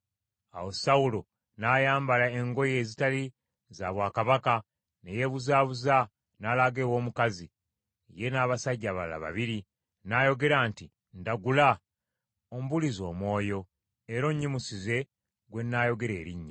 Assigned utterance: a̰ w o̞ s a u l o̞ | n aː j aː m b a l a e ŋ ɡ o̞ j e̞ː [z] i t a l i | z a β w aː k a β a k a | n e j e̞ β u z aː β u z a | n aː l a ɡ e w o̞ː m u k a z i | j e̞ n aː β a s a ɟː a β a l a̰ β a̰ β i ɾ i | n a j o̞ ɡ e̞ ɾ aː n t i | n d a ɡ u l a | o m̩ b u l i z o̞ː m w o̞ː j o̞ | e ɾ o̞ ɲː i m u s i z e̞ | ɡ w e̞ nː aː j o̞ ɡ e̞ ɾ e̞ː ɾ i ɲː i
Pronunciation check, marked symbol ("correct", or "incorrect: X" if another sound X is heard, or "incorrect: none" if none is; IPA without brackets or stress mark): correct